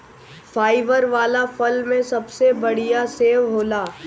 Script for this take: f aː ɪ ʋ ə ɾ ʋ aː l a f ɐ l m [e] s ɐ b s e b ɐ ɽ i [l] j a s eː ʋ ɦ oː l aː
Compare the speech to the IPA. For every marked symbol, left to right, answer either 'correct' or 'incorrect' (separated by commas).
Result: incorrect, incorrect